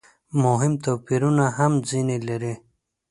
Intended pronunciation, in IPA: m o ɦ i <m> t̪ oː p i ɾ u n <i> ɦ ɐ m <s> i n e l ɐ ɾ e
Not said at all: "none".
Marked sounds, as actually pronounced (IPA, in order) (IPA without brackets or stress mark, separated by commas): m, a, z